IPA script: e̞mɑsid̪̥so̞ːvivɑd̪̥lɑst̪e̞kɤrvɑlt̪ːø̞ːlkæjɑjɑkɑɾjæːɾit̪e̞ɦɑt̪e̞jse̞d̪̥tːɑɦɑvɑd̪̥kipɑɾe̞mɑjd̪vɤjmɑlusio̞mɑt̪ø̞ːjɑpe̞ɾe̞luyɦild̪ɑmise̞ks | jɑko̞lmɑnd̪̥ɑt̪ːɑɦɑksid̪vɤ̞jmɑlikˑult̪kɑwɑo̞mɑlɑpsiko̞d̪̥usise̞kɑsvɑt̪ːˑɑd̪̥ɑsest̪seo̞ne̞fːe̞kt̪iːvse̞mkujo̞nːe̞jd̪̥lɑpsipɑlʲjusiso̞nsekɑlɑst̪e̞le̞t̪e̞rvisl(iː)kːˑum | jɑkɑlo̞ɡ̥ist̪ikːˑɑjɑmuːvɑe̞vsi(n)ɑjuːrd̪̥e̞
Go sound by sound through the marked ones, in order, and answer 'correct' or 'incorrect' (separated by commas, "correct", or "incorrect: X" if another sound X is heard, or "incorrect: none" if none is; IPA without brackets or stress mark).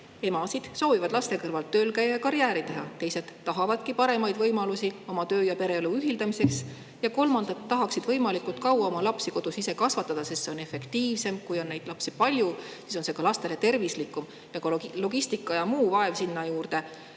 incorrect: i, incorrect: nː